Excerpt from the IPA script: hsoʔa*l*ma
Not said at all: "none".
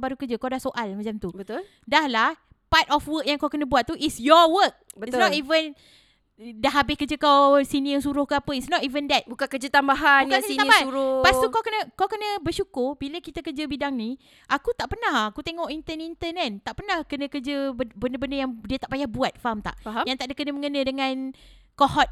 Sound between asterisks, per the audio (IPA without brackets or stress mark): l